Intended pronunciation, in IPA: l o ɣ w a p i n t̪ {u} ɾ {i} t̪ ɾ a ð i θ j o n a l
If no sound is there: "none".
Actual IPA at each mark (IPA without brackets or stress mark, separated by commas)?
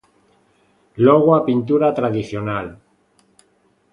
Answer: u, a